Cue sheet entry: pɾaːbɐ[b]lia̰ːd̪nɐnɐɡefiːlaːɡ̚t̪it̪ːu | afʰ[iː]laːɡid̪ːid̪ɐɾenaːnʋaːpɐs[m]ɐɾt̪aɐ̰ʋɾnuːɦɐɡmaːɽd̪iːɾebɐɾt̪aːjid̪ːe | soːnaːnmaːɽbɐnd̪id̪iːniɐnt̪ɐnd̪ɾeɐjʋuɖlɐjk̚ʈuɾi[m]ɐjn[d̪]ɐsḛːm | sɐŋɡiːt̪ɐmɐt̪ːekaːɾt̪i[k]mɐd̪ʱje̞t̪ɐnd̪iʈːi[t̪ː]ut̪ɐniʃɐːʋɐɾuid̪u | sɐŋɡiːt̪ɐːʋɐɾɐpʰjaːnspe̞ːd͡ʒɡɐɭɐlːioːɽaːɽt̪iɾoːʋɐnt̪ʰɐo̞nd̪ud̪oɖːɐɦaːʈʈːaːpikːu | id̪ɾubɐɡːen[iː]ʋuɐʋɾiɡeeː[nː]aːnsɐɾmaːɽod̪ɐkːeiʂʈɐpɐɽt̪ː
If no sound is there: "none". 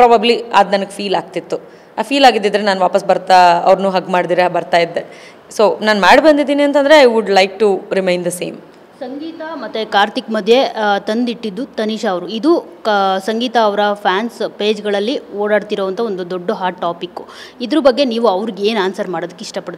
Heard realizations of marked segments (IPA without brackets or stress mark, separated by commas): b, iː, b, m, d̪, k, d̪ː, iː, n